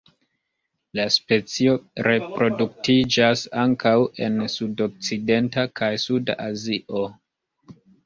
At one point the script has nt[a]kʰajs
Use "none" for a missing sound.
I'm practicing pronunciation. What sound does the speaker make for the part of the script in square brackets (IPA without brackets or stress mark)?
a